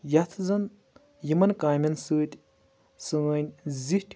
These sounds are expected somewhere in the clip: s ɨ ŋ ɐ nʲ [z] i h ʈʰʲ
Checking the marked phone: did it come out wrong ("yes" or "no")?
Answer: no